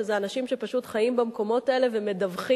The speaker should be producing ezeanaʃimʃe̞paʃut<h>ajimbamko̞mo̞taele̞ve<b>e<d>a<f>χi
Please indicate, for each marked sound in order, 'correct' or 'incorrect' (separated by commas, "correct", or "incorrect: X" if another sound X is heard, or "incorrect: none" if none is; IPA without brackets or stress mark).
incorrect: χ, incorrect: m, correct, incorrect: v